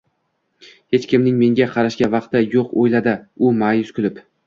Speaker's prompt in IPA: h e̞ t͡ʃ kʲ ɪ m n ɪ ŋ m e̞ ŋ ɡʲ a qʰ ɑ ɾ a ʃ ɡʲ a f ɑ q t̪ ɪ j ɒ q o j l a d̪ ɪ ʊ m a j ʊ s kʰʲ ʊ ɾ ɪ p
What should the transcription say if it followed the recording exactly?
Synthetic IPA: h e̞ t͡ʃ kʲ ɪ m n ɪ ŋ m e̞ ŋ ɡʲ a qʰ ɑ ɾ a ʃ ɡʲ a v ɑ q t̪ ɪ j o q o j l a d̪ ɪ ʊ m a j ʊ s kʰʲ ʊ l ɪ p